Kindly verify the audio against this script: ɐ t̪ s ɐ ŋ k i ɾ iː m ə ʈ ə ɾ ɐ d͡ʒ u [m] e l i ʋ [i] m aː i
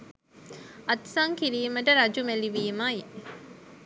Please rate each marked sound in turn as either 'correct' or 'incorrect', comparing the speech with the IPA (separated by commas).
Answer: correct, incorrect